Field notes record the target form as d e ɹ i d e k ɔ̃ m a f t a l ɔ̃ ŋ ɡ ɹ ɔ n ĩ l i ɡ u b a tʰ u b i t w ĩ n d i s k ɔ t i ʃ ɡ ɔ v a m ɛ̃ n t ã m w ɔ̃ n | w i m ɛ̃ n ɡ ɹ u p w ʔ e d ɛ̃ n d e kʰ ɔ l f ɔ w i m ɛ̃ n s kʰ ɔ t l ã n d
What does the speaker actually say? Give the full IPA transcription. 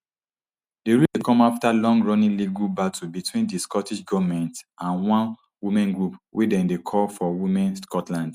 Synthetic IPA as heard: d e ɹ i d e k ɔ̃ m a f t a l ɔ̃ ŋ ɡ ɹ ɔ n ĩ l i ɡ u b a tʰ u b i t w ĩ n d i s k ɔ t i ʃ ɡ ɔ v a m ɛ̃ n t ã n w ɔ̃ n | w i m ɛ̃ n ɡ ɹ u p w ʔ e d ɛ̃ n d e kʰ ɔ l f ɔ w i m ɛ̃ n s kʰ ɔ t l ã n d